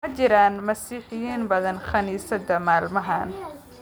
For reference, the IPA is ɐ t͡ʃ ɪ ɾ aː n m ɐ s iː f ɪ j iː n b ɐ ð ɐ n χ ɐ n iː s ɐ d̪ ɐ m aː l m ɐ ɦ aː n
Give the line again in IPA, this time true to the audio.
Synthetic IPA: ɐ t͡ʃ ɪ ɾ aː n m ɐ s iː ħ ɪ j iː n b ɐ ð ɐ n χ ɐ n iː s ɐ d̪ ɐ m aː l m ɐ ɦ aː n